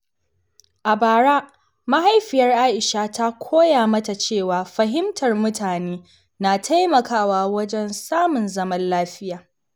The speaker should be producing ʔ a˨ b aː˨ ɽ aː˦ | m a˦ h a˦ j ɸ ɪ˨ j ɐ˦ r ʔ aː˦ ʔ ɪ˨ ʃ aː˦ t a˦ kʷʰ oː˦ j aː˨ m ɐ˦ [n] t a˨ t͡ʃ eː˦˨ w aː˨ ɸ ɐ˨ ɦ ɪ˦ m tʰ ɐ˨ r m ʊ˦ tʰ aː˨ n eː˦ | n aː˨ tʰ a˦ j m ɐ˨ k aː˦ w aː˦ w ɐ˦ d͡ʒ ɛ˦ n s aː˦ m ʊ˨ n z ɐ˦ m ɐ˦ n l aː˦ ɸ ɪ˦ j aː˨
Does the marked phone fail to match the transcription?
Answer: yes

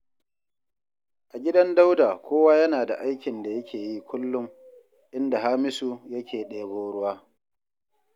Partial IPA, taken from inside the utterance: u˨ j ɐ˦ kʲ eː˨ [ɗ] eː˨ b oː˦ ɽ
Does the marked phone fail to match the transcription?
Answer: no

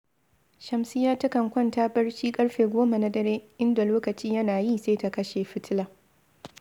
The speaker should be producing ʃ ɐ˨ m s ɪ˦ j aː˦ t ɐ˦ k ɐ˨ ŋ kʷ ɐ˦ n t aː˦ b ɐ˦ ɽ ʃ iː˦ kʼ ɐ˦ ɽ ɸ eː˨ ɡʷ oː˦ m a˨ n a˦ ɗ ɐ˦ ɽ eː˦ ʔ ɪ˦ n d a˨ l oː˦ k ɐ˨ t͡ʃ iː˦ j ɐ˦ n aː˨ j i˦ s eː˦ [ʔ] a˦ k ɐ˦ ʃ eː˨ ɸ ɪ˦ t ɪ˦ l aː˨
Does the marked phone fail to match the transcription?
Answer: yes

